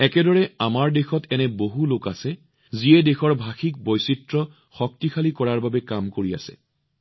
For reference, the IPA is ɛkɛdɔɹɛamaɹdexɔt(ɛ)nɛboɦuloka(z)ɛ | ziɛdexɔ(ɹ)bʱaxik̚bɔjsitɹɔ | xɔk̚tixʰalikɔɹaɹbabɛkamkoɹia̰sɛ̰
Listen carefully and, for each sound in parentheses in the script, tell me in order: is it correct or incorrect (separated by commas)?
correct, incorrect, correct